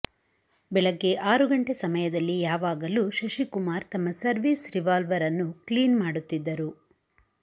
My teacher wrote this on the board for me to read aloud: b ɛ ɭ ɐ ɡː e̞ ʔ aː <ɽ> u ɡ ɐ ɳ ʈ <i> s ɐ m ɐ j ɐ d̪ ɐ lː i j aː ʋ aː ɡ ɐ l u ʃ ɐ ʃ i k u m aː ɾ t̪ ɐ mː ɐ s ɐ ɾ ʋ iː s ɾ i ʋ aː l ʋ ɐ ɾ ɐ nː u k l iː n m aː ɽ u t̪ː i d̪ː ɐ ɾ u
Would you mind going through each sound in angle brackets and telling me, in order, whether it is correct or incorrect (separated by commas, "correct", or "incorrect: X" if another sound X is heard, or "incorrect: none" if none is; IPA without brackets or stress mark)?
incorrect: ɾ, incorrect: e